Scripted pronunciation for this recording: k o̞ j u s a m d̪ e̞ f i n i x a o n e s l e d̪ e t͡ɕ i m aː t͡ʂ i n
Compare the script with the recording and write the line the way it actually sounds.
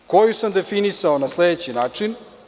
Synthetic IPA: k o̞ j u s a m d̪ e̞ f i n i s a o n a s l e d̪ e t͡ɕ i n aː t͡ʂ i n

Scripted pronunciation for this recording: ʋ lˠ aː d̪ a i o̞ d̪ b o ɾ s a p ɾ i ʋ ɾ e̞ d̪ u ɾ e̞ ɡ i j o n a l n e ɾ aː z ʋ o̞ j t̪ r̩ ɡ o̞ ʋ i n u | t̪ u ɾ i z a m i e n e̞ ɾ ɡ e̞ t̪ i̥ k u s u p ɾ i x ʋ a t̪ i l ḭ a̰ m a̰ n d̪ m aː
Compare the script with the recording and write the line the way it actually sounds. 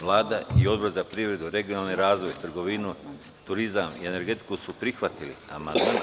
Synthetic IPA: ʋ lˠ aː d̪ a i o̞ d̪ b o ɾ z a p ɾ i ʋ ɾ e̞ d̪ u ɾ e̞ ɡ i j o n a l n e ɾ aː z ʋ o̞ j t̪ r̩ ɡ o̞ ʋ i n u | t̪ u ɾ i z a m i e n e̞ ɾ ɡ e̞ t̪ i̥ k u s u p ɾ i x ʋ a t̪ i l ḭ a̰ m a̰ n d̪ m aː

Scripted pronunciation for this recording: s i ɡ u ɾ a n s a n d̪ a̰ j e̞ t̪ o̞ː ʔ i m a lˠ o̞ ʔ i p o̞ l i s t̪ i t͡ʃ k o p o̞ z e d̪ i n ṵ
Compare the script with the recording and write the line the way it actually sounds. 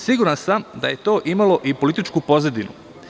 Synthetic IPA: s i ɡ u ɾ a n s a m d̪ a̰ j e̞ t̪ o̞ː ʔ i m a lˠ o̞ ʔ i p o̞ l i t̪ i t͡ʃ k u p o̞ z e d̪ i n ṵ

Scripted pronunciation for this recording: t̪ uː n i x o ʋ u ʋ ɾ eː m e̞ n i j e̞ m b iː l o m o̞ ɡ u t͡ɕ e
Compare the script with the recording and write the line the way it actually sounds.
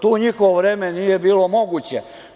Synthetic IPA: t̪ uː ɲ i x o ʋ o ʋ ɾ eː m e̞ n i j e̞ b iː l o m o̞ ɡ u t͡ɕ e

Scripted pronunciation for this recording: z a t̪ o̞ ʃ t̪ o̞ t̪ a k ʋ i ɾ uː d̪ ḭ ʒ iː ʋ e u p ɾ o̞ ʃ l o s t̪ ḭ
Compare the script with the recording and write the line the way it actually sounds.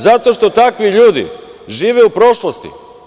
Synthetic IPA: z a t̪ o̞ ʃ t̪ o̞ t̪ a k ʋ i ʎ uː d̪ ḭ ʒ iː ʋ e u p ɾ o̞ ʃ l o s t̪ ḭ

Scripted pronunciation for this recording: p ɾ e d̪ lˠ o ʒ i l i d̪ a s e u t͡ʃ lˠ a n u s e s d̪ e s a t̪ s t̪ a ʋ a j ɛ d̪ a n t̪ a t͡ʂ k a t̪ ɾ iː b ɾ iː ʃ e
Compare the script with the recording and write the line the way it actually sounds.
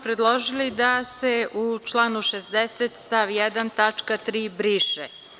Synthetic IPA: p ɾ e d̪ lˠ o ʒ i l i d̪ a s e u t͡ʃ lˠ a n u ʃ e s d̪ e s e t̪ s t̪ a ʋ i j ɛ d̪ a n t̪ a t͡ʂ k a t̪ ɾ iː b ɾ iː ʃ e

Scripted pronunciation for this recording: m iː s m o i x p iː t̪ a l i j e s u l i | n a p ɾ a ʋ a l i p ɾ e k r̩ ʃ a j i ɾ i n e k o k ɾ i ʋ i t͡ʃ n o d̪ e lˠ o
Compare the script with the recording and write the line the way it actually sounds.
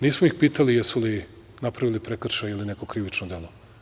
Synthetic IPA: n iː s m o i x p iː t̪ a l i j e s u l i | n a p ɾ a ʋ i l i p ɾ e k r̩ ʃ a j i l i n e k o k ɾ i ʋ i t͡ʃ n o d̪ e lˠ o

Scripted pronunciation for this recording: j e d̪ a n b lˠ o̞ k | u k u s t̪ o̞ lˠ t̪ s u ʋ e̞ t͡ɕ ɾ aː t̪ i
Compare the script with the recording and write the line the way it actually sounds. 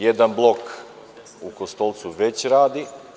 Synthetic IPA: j e d̪ a n b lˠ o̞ k | u k o s t̪ o̞ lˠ t̪ s u ʋ e̞ t͡ɕ ɾ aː d̪ i

